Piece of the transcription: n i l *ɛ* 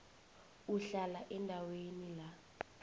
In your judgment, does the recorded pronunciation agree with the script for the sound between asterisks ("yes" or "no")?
no